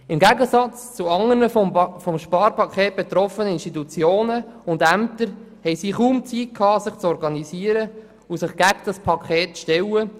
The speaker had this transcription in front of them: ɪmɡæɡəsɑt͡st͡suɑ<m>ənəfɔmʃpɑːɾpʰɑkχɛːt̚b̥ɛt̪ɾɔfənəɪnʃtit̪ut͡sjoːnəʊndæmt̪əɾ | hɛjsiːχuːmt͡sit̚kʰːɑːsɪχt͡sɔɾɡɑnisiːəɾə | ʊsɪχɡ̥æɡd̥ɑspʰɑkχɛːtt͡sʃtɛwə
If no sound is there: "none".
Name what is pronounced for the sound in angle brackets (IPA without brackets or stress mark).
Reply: ŋ